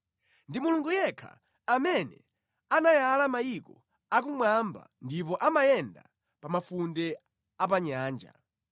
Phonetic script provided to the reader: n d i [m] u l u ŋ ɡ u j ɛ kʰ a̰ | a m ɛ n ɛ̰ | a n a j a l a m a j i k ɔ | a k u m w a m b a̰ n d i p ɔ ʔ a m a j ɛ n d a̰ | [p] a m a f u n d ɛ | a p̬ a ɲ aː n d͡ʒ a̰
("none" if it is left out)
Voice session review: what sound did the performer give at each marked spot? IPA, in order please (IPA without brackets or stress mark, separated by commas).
m, p